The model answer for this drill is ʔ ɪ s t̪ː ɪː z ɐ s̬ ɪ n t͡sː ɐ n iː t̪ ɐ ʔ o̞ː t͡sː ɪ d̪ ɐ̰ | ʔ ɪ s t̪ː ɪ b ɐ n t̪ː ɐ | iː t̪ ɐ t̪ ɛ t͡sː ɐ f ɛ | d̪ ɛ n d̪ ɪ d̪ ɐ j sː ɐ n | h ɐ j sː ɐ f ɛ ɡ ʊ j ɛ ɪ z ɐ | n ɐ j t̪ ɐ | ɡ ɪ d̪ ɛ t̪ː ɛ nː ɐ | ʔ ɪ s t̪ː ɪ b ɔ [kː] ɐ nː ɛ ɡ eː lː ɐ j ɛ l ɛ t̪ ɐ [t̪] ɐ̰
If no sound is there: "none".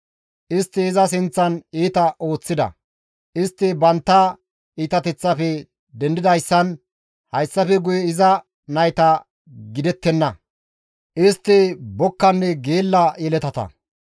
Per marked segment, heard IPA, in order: kː, t̪

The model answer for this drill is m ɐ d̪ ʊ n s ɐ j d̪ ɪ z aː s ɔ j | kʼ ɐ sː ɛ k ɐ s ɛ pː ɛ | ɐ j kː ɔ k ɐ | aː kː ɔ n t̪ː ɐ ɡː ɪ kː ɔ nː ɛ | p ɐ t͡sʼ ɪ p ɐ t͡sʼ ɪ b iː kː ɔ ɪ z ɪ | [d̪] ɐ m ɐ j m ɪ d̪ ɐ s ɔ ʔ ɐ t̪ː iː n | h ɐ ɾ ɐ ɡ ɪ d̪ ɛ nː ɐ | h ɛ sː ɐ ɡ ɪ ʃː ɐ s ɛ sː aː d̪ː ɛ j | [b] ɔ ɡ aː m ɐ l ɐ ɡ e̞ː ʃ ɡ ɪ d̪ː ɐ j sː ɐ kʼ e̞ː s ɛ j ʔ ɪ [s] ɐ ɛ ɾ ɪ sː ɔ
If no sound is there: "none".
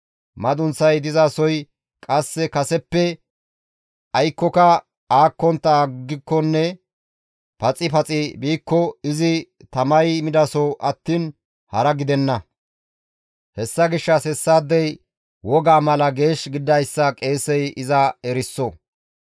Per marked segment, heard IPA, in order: t̪, w, z

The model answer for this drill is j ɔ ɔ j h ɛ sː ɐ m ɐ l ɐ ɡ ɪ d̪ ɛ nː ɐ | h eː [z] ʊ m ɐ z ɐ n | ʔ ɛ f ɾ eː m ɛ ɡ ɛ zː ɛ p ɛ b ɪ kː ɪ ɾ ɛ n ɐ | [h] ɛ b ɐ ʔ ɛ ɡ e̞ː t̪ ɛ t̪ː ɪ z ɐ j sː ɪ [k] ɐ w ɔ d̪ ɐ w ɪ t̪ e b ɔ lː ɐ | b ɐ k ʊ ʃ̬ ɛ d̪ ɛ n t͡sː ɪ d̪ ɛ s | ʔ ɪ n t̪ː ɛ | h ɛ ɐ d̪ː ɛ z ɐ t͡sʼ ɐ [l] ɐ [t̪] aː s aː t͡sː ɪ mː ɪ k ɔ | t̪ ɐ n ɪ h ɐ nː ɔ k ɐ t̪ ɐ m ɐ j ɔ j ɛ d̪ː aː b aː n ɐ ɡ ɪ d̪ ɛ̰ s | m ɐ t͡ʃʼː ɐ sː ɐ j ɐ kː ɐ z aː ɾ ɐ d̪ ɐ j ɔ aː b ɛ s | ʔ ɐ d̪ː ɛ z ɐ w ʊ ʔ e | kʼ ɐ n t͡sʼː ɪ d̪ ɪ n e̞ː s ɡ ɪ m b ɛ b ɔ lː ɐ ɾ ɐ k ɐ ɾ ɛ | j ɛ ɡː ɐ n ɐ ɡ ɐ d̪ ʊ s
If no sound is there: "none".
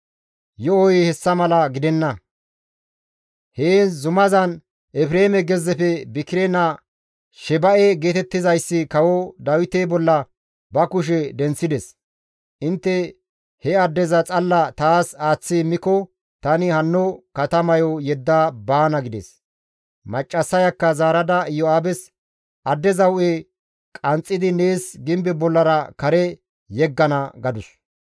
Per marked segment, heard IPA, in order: z, ʃ, k, lː, t̪

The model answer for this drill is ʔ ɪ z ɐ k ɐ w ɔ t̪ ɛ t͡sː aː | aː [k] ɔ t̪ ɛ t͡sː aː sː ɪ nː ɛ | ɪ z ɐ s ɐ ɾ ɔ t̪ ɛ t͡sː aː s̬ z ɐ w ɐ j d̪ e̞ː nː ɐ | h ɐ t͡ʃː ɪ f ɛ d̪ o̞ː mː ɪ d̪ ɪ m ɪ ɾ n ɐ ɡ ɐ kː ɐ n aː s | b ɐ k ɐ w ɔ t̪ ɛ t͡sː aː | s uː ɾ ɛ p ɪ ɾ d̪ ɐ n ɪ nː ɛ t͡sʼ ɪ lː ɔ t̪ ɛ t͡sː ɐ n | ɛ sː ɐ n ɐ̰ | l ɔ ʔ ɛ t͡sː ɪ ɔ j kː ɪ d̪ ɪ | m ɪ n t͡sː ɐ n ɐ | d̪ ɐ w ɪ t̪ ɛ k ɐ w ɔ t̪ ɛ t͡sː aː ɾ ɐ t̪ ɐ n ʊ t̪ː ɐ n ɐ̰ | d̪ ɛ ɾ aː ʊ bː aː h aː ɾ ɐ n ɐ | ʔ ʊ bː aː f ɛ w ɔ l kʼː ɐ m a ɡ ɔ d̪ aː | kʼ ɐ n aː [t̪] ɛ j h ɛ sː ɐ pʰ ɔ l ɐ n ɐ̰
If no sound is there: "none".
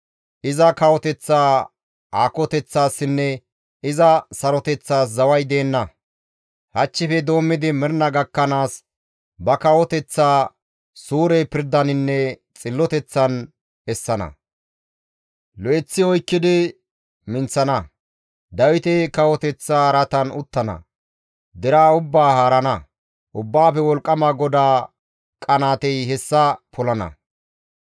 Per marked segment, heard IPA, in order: k, t̪

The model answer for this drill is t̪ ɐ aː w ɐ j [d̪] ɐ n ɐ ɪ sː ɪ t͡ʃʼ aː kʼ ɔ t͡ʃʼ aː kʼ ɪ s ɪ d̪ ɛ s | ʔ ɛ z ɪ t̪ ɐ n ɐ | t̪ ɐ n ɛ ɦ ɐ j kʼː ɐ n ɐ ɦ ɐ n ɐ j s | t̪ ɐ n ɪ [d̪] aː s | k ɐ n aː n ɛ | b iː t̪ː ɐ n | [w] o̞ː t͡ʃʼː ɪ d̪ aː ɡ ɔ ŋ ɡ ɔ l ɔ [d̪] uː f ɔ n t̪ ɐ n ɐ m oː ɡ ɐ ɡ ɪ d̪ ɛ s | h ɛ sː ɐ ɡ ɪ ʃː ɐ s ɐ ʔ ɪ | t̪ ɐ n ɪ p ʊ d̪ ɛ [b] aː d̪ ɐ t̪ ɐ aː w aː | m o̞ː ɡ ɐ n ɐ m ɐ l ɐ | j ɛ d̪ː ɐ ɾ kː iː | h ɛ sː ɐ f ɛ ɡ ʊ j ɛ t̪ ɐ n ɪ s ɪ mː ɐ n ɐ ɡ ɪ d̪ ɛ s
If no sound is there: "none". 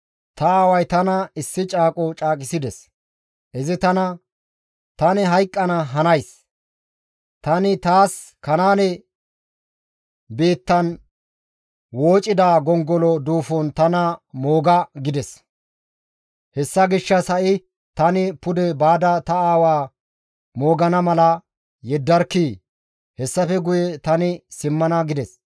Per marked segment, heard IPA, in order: t̪, t̪, w, d̪, b

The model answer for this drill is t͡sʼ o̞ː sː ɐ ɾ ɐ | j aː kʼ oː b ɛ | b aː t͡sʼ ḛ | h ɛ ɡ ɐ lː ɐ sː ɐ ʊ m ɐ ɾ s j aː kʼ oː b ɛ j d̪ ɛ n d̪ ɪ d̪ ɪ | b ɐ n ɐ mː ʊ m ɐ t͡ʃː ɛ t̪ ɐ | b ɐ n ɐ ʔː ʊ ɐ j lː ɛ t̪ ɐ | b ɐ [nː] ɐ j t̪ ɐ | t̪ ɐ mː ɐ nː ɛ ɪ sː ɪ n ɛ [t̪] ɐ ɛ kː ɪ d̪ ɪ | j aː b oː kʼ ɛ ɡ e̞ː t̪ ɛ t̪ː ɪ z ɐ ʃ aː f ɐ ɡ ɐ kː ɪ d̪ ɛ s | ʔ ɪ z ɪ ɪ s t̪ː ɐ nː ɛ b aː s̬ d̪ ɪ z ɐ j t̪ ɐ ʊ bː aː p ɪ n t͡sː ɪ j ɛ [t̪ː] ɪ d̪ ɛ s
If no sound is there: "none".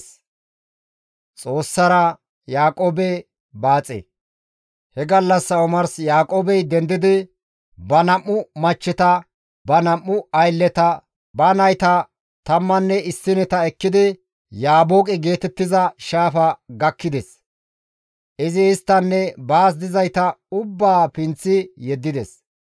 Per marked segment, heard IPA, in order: n, t̪, d̪ː

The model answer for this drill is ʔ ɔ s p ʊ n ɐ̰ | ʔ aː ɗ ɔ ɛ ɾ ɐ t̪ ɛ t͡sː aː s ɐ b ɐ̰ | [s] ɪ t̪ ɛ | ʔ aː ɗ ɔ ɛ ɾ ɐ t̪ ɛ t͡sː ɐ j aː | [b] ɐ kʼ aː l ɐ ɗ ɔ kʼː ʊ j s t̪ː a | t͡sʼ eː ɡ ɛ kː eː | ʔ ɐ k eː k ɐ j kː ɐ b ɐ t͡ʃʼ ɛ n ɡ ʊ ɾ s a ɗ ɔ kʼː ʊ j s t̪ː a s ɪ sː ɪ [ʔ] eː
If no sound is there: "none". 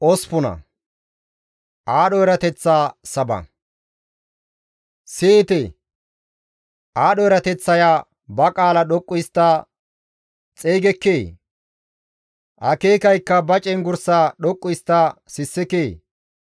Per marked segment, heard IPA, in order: s, b, k

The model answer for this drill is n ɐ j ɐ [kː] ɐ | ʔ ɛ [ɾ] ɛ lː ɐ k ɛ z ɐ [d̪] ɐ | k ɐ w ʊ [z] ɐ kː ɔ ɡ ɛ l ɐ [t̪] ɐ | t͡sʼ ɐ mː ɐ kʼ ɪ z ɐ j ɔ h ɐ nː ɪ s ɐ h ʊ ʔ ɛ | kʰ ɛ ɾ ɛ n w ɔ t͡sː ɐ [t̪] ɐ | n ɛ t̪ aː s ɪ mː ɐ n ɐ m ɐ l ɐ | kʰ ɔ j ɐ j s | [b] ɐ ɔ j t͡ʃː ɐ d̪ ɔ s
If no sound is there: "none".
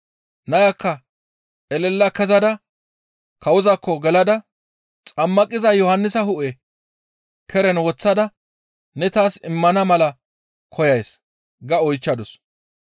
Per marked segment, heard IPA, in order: kː, l, d̪, z, d̪, d̪, ɡ

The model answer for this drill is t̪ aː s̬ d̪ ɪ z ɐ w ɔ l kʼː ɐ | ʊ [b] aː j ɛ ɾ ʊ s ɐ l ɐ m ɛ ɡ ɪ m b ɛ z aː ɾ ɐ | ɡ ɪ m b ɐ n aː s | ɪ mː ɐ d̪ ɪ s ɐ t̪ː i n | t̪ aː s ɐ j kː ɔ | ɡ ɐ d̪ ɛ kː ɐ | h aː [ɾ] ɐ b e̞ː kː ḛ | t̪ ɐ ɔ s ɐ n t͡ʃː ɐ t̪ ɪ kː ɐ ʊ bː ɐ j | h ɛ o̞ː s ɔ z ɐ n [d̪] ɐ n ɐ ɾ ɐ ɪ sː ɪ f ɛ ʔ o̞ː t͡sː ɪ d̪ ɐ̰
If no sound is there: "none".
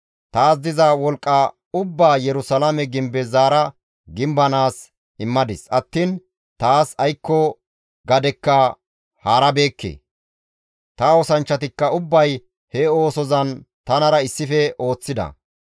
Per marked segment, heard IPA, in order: bː, ɾ, t̪

